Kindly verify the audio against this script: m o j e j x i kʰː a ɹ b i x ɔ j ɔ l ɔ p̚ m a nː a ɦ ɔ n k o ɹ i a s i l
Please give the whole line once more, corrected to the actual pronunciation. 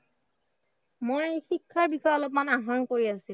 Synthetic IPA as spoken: m o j e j x i kʰː a ɹ b i x ɔ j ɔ l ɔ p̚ m a n a ɦ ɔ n k o ɹ i a s i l